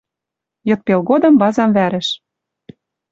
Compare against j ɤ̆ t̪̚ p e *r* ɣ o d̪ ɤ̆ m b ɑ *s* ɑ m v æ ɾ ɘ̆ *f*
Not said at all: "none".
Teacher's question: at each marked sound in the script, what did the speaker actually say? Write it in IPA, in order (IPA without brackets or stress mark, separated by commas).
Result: l, z, ʃ